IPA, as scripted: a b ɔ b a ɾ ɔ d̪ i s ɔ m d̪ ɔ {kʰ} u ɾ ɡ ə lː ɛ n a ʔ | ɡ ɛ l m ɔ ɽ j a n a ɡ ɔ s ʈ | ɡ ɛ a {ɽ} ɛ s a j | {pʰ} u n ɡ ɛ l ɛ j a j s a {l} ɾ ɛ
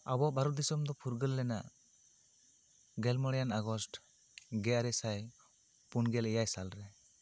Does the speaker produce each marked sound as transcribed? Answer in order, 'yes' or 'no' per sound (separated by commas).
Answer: no, no, no, yes